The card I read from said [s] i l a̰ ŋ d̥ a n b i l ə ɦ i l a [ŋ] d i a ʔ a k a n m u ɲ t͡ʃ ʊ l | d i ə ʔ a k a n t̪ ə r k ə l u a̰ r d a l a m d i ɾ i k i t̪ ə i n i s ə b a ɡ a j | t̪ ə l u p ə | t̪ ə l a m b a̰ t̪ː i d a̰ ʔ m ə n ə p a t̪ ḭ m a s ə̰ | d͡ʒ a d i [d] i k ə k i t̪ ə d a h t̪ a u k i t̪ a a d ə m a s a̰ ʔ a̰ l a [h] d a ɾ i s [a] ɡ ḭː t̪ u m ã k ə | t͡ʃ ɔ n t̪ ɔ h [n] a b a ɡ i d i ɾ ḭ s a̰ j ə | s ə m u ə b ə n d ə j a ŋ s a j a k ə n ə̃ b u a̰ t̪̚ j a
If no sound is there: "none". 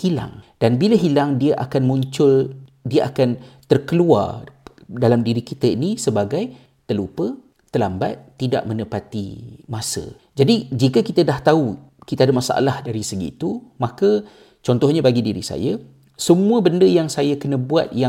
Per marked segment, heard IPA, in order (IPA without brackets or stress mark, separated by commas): h, ŋ, d͡ʒ, h, ə, ɲ